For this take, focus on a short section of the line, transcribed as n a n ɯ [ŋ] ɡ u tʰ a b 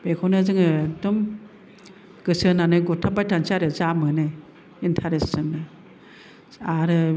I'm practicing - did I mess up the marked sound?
yes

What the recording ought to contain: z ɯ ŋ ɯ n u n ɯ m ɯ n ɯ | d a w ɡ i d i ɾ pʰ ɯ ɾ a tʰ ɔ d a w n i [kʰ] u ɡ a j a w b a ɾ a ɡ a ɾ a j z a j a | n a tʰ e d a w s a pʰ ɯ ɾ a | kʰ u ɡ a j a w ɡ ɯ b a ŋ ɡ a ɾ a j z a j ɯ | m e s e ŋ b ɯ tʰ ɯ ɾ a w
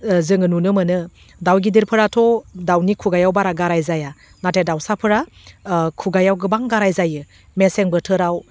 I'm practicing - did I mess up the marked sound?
no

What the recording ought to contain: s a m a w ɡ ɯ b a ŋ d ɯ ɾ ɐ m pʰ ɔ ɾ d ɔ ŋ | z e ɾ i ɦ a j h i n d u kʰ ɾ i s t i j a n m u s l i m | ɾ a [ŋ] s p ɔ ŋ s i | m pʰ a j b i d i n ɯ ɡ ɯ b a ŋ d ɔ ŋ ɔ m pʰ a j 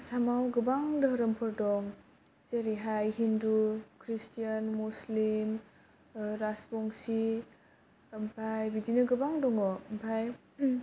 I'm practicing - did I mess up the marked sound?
yes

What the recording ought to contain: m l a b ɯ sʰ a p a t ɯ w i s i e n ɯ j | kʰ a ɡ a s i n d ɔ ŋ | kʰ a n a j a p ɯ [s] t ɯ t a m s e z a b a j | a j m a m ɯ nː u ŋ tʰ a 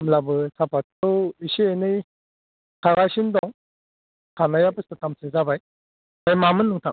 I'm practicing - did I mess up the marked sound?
no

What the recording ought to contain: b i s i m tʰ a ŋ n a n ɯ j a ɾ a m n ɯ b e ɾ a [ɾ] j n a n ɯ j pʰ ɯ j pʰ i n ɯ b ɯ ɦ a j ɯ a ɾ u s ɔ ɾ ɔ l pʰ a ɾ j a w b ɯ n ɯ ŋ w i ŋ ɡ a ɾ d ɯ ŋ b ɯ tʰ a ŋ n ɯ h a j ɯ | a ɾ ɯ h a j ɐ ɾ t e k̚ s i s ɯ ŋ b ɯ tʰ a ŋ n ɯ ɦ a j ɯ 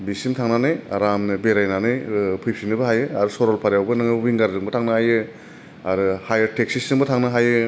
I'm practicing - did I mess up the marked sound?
yes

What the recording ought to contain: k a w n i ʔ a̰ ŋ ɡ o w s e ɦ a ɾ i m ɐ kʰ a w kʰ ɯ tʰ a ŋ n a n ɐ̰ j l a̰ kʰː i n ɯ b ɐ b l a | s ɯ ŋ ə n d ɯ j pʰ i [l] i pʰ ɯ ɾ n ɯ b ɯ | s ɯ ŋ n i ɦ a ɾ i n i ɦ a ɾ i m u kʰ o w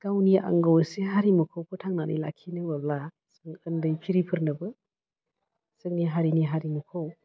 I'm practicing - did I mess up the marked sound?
yes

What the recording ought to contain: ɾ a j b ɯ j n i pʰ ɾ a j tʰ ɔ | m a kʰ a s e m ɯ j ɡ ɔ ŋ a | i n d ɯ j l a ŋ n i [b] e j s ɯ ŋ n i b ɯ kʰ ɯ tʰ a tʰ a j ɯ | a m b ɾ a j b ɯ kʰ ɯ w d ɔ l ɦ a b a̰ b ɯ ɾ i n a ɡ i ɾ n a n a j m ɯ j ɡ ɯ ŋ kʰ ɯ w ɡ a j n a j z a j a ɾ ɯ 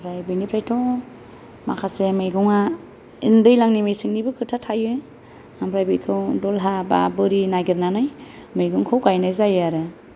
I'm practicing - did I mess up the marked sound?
yes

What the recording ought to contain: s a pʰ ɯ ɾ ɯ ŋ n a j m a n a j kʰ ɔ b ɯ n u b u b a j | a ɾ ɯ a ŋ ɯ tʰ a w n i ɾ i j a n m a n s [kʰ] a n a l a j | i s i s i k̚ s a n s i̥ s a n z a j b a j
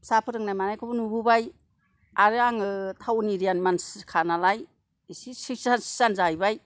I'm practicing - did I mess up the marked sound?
no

